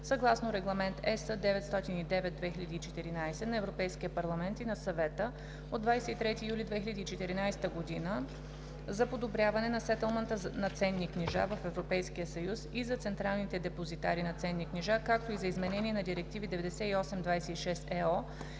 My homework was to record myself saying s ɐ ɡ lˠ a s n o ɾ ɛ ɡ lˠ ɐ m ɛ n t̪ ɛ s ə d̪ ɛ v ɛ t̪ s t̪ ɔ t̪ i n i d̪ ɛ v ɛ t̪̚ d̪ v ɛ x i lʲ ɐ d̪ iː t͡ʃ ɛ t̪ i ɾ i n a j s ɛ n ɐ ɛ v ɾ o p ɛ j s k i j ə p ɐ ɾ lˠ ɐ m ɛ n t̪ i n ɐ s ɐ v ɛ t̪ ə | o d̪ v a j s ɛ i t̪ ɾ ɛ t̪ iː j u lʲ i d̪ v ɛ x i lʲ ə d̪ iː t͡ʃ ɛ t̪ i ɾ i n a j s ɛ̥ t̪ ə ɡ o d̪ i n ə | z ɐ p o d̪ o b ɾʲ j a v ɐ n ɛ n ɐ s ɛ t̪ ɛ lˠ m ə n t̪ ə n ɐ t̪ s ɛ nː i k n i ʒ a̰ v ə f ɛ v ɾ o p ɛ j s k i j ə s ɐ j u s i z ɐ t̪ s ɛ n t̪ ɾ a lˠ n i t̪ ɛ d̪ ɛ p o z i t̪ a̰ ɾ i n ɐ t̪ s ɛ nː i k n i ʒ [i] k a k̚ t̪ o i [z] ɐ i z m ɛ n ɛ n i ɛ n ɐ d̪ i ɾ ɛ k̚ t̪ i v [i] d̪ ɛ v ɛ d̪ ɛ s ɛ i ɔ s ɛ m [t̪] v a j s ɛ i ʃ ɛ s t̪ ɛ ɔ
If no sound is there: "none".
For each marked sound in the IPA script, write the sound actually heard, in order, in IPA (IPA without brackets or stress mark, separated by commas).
a, z, i, d̪